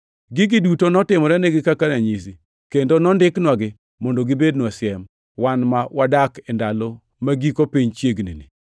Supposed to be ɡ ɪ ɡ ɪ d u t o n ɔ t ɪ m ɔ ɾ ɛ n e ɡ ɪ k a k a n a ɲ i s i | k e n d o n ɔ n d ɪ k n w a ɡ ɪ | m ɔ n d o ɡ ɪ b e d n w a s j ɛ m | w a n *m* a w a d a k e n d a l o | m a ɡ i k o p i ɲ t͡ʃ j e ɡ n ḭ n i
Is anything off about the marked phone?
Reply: no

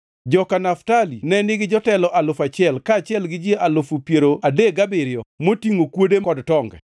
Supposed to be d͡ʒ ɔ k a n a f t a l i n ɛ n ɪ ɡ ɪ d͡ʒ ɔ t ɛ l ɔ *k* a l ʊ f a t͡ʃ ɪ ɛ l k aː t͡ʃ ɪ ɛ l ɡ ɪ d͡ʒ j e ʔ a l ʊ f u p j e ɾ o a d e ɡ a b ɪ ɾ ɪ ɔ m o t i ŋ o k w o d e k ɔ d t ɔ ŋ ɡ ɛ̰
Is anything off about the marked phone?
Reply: yes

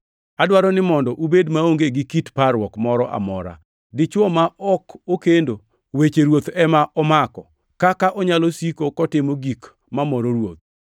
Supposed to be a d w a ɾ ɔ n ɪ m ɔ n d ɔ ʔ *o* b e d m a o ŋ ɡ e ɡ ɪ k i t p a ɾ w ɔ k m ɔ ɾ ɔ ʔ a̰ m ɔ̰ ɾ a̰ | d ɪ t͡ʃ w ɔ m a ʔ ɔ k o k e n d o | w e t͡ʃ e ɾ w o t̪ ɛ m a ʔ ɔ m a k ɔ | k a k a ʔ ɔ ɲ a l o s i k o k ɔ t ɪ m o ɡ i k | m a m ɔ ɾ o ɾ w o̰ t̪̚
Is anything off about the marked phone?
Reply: yes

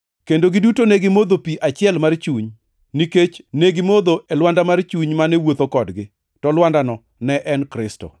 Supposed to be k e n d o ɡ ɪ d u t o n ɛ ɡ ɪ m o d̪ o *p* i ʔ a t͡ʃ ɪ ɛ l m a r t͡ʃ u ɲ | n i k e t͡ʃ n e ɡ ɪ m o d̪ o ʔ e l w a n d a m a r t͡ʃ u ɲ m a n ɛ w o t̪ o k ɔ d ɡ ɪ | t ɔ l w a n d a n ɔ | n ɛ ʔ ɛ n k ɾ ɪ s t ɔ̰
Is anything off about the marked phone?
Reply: no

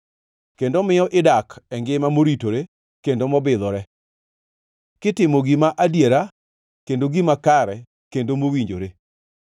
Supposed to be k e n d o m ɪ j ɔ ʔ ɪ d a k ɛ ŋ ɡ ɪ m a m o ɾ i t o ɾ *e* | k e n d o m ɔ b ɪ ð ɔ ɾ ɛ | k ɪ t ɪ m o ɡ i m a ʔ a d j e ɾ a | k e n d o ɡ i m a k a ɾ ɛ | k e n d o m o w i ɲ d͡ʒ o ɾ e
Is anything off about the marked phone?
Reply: no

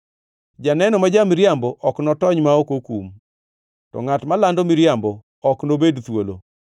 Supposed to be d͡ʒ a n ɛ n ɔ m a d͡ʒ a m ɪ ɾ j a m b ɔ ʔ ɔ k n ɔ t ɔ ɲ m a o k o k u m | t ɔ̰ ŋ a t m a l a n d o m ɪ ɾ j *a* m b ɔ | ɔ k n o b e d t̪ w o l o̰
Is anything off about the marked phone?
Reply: no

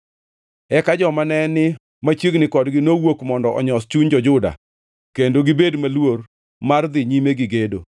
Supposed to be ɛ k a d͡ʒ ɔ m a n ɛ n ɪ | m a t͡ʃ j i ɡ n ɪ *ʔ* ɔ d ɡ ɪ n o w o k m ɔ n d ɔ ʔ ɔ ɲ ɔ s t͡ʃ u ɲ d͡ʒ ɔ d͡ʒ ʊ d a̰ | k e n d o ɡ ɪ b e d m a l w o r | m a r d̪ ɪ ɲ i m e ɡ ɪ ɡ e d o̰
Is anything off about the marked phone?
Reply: yes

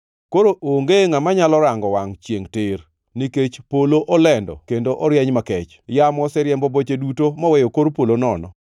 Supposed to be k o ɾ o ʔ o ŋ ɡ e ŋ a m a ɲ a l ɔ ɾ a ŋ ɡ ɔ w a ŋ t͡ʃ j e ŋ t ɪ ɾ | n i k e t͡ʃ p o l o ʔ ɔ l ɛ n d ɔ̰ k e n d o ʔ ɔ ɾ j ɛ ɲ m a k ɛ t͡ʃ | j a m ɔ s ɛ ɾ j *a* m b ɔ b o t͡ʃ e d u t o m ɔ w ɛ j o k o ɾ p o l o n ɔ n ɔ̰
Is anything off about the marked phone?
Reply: yes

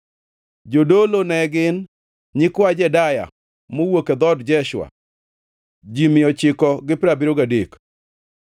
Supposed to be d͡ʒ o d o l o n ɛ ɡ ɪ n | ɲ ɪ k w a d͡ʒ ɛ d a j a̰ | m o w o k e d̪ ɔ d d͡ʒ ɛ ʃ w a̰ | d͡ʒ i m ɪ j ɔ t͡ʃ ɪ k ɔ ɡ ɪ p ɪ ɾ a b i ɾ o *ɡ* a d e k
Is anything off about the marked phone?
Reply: no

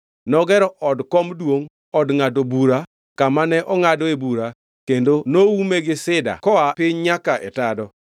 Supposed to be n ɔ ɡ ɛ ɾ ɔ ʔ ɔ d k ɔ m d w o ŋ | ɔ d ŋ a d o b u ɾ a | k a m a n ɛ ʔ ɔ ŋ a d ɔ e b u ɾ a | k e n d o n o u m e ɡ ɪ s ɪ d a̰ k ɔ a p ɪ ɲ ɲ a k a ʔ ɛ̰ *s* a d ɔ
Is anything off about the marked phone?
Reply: yes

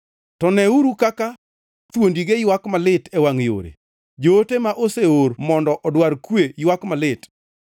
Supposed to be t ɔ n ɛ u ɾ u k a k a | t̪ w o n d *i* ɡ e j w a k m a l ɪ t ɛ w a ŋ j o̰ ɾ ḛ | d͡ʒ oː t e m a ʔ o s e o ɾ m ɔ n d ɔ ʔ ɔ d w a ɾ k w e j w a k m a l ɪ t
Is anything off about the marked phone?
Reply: no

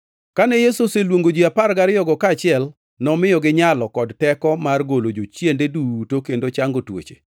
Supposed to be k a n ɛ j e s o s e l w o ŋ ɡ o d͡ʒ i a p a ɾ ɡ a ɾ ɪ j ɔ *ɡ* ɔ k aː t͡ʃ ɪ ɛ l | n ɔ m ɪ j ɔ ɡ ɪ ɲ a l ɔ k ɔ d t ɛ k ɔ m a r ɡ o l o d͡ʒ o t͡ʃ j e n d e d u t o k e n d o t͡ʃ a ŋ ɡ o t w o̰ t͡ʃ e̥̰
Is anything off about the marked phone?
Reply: no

